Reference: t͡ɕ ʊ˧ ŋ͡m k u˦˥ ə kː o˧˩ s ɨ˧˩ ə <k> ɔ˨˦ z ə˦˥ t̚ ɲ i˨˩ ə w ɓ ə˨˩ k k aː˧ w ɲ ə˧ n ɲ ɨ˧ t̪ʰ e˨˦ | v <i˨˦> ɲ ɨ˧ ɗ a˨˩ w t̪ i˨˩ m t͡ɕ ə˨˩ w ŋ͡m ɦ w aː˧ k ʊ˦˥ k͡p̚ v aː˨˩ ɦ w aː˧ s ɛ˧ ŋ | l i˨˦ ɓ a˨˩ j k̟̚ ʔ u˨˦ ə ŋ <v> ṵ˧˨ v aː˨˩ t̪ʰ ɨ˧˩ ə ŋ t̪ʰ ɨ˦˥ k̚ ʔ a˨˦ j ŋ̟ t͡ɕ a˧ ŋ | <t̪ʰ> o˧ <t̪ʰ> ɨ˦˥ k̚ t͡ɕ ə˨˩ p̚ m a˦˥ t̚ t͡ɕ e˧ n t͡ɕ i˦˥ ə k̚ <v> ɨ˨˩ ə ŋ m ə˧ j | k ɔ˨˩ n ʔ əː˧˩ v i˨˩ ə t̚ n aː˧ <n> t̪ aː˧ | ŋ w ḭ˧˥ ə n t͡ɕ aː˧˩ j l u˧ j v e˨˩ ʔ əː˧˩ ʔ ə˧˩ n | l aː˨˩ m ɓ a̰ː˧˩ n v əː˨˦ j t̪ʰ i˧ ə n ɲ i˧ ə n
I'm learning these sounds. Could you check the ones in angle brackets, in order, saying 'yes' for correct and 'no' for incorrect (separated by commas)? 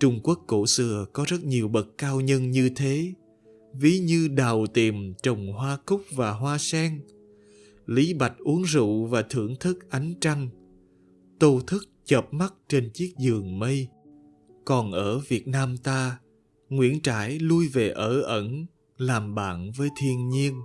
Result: yes, yes, no, no, yes, no, no